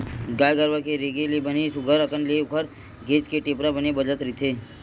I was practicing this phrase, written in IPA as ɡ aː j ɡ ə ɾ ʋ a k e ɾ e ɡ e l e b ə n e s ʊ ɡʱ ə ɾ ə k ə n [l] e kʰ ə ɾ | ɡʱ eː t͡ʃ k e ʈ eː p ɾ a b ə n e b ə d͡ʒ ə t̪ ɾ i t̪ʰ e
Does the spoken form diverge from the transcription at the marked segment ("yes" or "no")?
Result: no